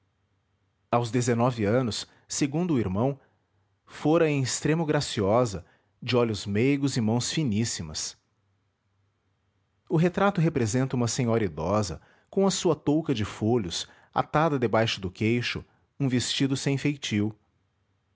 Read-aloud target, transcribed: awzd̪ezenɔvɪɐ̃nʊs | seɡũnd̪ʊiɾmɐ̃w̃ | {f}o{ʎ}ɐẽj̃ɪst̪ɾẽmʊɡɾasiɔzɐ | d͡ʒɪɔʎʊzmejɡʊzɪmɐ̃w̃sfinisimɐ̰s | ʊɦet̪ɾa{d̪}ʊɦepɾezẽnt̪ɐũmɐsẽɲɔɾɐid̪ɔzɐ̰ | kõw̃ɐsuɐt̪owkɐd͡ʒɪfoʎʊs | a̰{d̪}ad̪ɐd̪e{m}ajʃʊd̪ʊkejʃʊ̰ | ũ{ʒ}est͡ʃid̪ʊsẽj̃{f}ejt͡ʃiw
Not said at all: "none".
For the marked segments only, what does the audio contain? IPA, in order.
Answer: f, ɾ, t̪, t̪, b, v, f

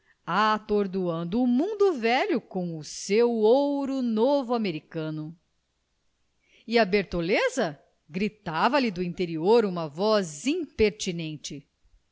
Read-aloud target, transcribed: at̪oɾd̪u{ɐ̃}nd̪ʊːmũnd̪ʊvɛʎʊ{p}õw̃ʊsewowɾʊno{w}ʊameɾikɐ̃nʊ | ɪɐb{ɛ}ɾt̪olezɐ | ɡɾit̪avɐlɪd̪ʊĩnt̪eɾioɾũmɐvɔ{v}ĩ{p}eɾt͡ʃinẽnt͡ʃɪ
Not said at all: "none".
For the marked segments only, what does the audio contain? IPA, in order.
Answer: ɐ̃, k, v, e, z, p

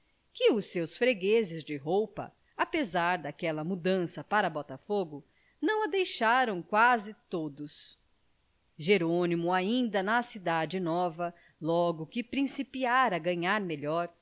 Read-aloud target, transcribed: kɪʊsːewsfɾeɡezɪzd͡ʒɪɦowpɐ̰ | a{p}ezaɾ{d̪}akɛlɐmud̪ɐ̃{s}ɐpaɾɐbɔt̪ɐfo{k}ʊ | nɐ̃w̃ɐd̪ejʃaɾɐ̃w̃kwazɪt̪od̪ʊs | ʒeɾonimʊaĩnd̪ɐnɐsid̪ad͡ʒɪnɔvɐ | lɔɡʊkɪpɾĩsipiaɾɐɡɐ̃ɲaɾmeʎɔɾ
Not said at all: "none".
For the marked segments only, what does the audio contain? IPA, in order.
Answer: p, d̪, s, ɡ

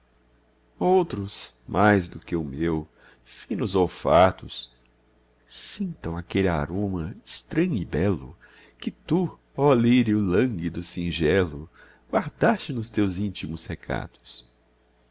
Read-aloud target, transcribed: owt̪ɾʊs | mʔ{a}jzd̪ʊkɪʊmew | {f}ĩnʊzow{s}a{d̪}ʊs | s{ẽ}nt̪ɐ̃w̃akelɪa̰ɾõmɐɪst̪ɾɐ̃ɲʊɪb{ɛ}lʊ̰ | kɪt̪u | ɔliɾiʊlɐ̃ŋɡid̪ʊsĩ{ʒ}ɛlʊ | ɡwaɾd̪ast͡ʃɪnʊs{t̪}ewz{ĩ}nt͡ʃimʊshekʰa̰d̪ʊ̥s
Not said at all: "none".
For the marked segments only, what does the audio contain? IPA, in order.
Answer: a, f, f, t̪, ĩ, ɛ, ʒ, t̪, ĩ

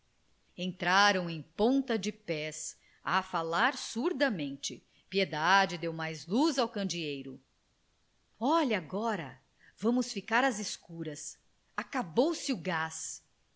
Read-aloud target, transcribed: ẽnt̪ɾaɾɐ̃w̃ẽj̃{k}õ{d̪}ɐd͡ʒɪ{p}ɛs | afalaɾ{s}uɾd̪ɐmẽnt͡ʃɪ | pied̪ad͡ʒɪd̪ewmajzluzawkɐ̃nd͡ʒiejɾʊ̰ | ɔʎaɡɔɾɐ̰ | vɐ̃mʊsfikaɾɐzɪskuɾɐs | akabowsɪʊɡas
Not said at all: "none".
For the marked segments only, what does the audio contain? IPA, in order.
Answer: p, t̪, p, s

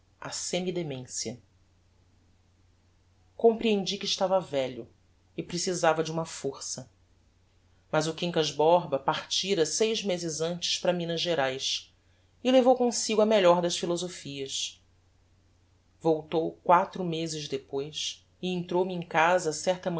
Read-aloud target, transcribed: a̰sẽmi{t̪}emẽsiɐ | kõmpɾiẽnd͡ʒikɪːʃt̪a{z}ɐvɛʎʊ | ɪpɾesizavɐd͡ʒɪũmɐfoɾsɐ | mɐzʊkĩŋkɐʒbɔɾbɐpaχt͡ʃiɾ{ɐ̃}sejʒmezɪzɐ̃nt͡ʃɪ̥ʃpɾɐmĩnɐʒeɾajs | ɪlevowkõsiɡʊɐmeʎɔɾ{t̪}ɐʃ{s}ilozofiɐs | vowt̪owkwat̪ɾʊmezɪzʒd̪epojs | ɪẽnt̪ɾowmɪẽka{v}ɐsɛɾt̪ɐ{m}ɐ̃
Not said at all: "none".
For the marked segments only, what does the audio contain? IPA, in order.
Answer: d̪, v, ɐ, d̪, f, z, m

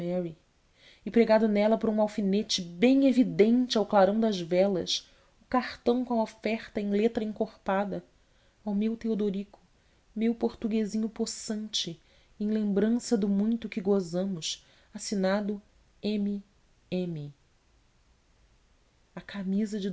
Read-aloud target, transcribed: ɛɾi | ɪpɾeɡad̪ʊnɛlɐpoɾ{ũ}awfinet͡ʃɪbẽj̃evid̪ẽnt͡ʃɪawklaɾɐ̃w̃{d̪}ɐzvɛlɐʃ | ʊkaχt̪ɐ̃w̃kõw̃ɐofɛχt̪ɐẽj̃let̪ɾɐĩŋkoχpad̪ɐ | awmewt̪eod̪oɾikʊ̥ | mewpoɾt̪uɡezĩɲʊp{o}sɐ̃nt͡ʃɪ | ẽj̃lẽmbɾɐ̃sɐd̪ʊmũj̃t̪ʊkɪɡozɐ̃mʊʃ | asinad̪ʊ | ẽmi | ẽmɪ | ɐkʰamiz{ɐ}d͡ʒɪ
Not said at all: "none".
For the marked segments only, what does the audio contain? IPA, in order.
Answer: ũ, d̪, o, ɐ

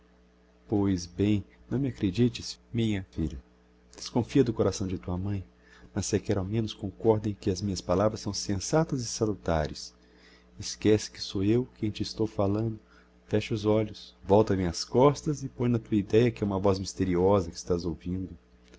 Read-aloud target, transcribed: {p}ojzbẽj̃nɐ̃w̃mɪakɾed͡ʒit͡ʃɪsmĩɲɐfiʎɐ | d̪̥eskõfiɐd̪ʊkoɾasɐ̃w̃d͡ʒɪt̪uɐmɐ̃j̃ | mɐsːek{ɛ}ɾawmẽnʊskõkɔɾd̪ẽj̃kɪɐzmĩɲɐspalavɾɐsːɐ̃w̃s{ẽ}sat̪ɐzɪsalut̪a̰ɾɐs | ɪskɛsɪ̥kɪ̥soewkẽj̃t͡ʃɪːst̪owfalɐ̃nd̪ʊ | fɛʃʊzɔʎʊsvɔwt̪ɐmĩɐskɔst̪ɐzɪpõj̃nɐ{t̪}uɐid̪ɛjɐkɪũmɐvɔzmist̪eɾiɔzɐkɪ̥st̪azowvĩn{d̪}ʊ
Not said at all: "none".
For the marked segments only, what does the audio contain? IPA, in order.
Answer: p, ɛ, ẽ, t̪, d̪

